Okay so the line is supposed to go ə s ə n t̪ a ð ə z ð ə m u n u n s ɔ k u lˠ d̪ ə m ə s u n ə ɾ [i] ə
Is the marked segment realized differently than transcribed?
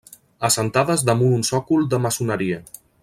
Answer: no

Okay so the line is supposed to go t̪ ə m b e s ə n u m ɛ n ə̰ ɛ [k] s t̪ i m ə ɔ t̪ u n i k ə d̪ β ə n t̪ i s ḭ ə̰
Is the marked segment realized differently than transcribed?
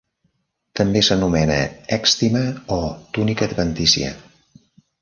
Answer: no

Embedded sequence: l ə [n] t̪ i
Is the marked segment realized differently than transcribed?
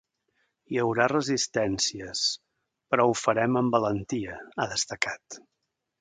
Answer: no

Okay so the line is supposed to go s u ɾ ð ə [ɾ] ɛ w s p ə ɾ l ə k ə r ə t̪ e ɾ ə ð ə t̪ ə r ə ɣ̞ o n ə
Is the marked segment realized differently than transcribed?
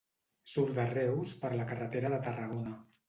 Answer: yes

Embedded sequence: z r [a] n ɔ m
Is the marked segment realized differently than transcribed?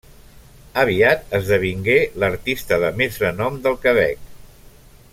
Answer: yes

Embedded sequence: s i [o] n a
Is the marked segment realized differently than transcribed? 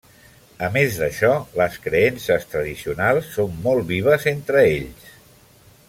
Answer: yes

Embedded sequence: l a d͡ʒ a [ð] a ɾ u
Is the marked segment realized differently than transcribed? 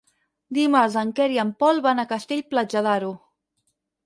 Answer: no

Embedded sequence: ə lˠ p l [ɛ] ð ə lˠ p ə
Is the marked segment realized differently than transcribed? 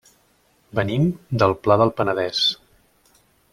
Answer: yes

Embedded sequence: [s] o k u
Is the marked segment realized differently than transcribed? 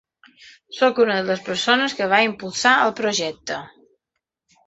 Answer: no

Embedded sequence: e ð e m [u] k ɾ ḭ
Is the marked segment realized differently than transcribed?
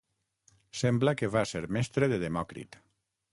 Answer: yes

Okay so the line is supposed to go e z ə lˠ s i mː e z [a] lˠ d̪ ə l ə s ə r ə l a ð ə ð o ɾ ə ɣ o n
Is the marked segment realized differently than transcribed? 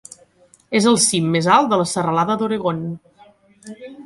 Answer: no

